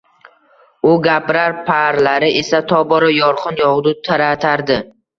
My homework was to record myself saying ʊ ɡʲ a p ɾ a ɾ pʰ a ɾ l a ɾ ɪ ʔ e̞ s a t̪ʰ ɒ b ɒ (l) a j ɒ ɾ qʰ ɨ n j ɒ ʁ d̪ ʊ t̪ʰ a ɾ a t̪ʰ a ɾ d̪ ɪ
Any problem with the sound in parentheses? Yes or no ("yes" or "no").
yes